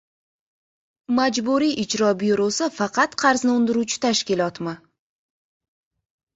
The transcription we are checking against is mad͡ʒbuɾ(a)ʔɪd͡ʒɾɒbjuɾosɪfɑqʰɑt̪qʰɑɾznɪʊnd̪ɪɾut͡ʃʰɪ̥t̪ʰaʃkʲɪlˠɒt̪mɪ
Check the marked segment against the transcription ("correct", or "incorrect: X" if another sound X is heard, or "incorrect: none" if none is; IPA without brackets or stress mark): incorrect: i